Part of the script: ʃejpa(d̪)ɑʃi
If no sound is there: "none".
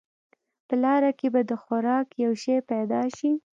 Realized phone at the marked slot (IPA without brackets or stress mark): d̪